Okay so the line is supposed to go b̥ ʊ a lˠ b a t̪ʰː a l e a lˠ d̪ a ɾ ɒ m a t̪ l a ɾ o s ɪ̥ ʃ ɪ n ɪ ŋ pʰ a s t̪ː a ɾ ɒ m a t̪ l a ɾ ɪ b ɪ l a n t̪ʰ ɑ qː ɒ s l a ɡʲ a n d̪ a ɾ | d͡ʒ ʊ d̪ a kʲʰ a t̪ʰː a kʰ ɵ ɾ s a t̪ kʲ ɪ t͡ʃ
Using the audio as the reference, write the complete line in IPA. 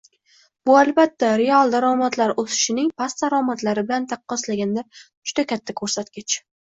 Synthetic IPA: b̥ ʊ a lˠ b a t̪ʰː a ɾ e a lˠ d̪ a ɾ ɒ m a t̪ l a ɾ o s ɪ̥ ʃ ɪ n ɪ ŋ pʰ a s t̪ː a ɾ ɒ m a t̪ l a ɾ ɪ b ɪ l a n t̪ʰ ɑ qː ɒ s l a ɡʲ a n d̪ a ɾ | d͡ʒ ʊ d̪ a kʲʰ a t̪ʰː a kʰ ɵ ɾ s a t̪ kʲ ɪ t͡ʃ

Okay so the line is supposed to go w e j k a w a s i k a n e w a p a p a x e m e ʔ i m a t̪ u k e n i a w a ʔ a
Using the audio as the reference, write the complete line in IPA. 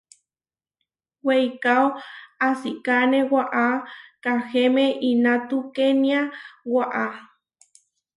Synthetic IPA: w e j k a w a s i k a n e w a ʔ a k a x e m e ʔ i n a t̪ u k e n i a w a ʔ a

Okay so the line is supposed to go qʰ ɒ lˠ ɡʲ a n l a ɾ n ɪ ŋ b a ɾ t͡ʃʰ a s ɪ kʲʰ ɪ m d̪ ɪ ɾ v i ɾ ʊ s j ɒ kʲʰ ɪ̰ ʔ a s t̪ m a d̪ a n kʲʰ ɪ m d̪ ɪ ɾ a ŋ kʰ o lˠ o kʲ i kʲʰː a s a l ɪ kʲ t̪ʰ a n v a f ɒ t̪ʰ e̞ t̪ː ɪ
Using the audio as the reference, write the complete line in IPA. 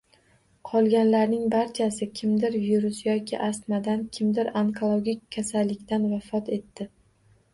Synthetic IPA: qʰ ɒ lˠ ɡʲ a n l a ɾ n ɪ ŋ b a ɾ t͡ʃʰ a s ɪ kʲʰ ɪ m d̪ ɪ ɾ v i ɾ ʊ s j ɒ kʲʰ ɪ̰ ʔ a s t̪ m a d̪ a n kʲʰ ɪ m d̪ ɪ ɾ a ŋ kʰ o lˠ o ɡʲ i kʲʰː a s a lː ɪ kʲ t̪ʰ a n v a f ɒ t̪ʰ e̞ t̪ː ɪ

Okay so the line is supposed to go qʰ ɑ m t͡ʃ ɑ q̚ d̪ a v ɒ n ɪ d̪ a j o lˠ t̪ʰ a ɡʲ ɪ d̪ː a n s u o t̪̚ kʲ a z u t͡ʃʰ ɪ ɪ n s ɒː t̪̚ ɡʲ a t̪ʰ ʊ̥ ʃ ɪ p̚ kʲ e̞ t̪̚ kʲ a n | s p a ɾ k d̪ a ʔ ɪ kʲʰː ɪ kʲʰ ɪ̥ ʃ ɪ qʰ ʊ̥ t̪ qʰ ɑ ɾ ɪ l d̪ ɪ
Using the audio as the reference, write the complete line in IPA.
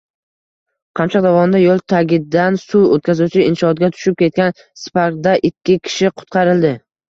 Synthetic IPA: qʰ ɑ m t͡ʃ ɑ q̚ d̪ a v ɒ n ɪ d̪ a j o lˠ t̪ʰ a ɡʲ ɪ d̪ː a n s u o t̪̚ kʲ a z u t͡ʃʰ ɪ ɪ n ʃ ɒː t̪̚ ɡʲ a t̪ʰ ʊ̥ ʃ ɪ p̚ kʲ e̞ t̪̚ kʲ a n | s p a ɾ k d̪ a ʔ ɪ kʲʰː ɪ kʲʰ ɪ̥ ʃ ɪ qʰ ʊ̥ t̪ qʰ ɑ ɾ ɪ l d̪ ɪ

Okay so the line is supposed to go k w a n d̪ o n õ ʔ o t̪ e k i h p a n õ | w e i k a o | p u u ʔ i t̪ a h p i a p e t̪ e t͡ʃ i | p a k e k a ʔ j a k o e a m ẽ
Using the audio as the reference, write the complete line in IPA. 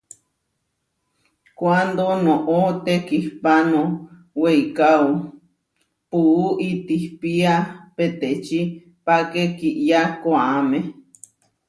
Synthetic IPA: k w a n d̪ o n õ ʔ o t̪ e k i h p a n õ | w e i k a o | p u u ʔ i t̪ i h p i a p e t̪ e t͡ʃ i | p a k e k i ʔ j a k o a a m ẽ

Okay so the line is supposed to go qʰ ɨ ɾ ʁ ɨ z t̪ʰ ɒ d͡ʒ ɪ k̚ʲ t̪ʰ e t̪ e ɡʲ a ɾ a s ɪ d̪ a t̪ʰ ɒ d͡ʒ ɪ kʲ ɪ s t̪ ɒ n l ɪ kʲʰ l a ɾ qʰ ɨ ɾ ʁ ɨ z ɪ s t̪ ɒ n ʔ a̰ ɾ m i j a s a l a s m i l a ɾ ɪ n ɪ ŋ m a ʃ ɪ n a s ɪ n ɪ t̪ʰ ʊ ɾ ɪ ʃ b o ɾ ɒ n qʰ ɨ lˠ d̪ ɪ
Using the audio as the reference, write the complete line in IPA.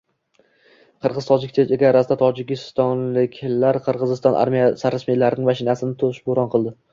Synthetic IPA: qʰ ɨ ɾ ʁ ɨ z t̪ʰ ɒ d͡ʒ ɪ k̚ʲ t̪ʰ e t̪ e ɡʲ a ɾ a s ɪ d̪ a t̪ʰ ɒ d͡ʒ ɪ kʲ ɪ s t̪ ɒ n l ɪ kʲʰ l a ɾ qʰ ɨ ɾ ʁ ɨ z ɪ s t̪ ɒ n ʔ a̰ ɾ m i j a s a ɾ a s m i l a ɾ ɪ n ɪ ŋ m a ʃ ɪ n a s ɪ n ɪ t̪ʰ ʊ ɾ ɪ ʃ b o ɾ ɒ n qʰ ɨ lˠ d̪ ɪ

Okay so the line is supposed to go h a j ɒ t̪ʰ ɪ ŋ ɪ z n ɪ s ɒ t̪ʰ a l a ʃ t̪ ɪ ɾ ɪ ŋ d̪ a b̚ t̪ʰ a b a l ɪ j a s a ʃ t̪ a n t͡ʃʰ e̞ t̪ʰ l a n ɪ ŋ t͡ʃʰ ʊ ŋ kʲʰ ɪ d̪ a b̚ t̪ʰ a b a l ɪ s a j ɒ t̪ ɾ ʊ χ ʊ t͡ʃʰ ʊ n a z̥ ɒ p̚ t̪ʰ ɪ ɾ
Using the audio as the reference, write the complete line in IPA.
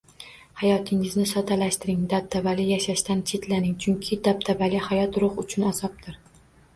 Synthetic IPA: h a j ɒ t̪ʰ ɪ ŋ ɪ z n ɪ s ɒ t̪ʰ a l a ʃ t̪ ɪ ɾ ɪ ŋ d̪ a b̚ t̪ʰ a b a l ɪ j a ʃ a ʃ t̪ a n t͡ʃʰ e̞ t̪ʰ l a n ɪ ŋ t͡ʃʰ ʊ ŋ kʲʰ ɪ d̪ a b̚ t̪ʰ a b a l ɪ h a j ɒ t̪ ɾ ʊ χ ʊ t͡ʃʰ ʊ n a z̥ ɒ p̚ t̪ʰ ɪ ɾ

